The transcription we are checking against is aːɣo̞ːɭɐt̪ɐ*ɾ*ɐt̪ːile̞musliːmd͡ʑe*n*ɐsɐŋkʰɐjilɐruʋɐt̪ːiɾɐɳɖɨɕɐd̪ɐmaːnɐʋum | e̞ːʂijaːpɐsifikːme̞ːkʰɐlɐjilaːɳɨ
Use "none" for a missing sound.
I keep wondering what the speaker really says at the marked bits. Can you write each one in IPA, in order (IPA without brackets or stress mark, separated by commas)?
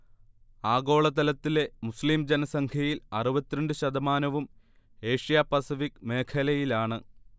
l, n